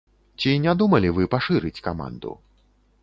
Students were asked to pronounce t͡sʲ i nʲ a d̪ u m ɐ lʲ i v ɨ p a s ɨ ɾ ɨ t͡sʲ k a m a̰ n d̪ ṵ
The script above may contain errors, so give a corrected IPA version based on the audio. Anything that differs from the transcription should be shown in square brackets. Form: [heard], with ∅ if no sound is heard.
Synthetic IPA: t͡sʲ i nʲ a d̪ u m ɐ lʲ i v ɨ p a [ʂ] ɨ ɾ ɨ t͡sʲ k a m a̰ n d̪ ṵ